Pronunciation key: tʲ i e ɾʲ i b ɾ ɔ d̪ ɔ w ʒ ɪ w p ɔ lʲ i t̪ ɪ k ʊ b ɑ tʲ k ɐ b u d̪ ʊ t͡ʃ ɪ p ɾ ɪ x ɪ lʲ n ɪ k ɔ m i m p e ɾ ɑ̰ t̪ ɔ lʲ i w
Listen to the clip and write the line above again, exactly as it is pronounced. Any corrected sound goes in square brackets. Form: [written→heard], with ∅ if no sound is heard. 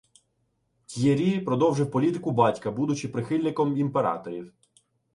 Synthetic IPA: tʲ [i→j] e ɾʲ i [b→p] ɾ ɔ d̪ ɔ w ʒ ɪ w p ɔ lʲ i t̪ ɪ k ʊ b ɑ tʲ k ɐ b u d̪ ʊ t͡ʃ ɪ p ɾ ɪ x ɪ lʲ n ɪ k ɔ m i m p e ɾ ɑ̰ t̪ ɔ [lʲ→ɾʲ] i w